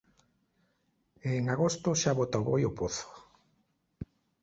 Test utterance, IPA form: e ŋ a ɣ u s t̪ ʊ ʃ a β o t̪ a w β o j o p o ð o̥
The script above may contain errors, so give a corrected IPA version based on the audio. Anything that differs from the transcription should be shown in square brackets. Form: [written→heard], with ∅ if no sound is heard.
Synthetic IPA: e ŋ a ɣ [u→o] s t̪ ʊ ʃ a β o t̪ a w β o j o p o [ð→θ] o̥